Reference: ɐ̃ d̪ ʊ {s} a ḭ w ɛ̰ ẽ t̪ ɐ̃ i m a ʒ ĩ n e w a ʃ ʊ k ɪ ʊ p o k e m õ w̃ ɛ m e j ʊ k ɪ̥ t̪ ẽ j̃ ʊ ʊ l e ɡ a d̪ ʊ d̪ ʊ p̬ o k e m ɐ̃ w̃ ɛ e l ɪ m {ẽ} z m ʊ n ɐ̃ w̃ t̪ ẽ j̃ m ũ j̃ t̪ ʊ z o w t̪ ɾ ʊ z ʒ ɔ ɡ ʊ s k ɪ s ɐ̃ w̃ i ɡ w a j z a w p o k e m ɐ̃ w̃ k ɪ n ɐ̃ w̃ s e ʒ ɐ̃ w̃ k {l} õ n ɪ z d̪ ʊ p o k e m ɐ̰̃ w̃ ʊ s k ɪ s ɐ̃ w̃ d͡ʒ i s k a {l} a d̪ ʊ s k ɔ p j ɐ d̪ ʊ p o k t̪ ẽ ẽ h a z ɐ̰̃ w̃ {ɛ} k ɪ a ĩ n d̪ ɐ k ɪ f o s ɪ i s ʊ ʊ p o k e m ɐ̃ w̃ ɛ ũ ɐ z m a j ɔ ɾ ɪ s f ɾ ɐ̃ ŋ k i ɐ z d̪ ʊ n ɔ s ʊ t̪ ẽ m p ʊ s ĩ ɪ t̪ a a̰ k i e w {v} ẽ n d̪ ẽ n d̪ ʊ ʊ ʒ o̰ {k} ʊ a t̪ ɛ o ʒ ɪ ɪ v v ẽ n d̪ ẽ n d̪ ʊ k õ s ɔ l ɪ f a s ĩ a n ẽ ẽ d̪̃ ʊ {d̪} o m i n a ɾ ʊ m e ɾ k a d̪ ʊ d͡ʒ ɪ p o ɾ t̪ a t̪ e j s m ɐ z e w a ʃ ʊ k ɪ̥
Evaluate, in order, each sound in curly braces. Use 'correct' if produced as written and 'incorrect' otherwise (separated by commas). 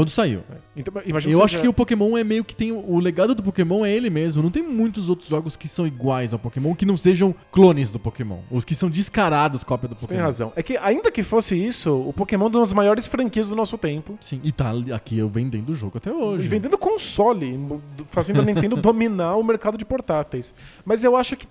correct, incorrect, correct, incorrect, correct, correct, incorrect, correct